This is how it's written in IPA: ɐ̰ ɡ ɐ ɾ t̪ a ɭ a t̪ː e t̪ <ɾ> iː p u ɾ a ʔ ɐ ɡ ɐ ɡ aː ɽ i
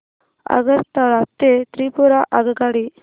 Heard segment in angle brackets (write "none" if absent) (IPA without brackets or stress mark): ɾ